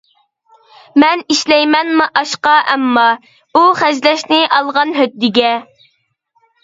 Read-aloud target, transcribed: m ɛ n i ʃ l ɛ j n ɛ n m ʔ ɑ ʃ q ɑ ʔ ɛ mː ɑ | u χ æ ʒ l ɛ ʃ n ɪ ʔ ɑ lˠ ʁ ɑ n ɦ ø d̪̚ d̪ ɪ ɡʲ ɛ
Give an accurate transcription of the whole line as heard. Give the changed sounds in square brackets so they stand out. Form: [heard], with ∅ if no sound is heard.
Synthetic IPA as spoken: m ɛ n i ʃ l ɛ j [m] ɛ n m ʔ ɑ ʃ q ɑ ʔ ɛ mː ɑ | u χ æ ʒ l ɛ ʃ n ɪ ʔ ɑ lˠ ʁ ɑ n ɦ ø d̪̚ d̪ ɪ ɡʲ ɛ